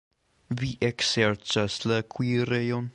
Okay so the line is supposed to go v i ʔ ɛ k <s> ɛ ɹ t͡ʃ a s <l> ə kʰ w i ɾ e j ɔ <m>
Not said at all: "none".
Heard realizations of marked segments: s, l, n

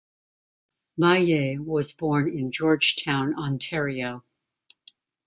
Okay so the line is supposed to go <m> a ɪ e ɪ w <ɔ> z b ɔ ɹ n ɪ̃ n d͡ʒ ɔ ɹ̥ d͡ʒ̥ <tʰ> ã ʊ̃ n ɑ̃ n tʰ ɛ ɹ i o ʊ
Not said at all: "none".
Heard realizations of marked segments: m, ʌ, tʰ

